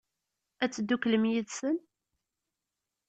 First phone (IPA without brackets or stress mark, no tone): æ